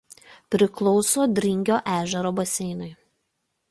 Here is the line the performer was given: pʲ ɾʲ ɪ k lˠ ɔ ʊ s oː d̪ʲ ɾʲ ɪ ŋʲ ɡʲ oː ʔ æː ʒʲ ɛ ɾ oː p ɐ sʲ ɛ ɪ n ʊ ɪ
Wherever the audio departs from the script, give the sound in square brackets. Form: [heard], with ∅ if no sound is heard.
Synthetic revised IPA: pʲ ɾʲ ɪ k lˠ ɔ ʊ s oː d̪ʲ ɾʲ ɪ ŋʲ ɡʲ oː ʔ æː ʒʲ ɛ ɾ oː [b] ɐ sʲ ɛ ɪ n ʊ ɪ